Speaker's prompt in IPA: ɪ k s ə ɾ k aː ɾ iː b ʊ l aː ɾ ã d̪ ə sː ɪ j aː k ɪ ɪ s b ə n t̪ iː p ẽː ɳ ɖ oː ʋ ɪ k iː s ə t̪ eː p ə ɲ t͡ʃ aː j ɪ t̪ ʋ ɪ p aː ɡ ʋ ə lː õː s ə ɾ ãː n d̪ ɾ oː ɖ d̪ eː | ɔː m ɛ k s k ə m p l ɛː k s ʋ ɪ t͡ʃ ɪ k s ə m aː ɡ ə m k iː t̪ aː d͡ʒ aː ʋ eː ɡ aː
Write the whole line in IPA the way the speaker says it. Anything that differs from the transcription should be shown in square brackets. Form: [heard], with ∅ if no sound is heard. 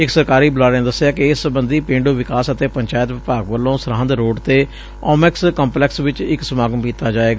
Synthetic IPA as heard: ɪ k s ə ɾ k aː ɾ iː b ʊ l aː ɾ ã d̪ ə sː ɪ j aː k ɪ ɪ s b ə n [d̪] iː p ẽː ɳ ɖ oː ʋ ɪ k [aː] s ə t̪ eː p ə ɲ t͡ʃ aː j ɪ t̪ ʋ ɪ p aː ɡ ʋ ə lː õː s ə ɾ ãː n d̪ ɾ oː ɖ [t̪] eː | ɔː m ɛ k s k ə m p l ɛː k s ʋ ɪ t͡ʃ ɪ k s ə m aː ɡ ə m k iː t̪ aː d͡ʒ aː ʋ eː ɡ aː